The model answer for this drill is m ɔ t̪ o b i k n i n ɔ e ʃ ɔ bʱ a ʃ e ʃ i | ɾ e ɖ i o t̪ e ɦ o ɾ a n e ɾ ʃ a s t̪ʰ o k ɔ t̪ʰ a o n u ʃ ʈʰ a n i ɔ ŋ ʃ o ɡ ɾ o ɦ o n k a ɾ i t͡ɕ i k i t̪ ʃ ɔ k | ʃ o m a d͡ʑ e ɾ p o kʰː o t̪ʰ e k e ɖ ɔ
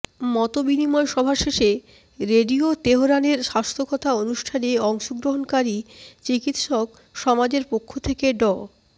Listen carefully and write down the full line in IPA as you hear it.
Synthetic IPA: m ɔ t̪ o b i n i m ɔ e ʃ ɔ bʱ a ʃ e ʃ e | ɾ e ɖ i o t̪ e ɦ o ɾ a n e ɾ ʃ a s t̪ʰ o k ɔ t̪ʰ a o n u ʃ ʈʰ a n e ɔ ŋ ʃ o ɡ ɾ o ɦ o n k a ɾ i t͡ɕ i k i t̪ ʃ ɔ k | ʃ ɔ m a d͡ʑ e ɾ p o kʰː o t̪ʰ e k e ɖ ɔ